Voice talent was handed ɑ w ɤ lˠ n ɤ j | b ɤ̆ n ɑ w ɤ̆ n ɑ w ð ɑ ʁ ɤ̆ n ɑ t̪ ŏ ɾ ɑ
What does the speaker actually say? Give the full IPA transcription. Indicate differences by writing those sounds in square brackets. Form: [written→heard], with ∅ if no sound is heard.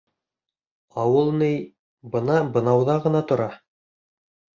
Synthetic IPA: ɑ w ɤ lˠ n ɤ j | b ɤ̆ n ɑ [w→b] ɤ̆ n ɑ w ð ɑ ʁ ɤ̆ n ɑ t̪ ŏ ɾ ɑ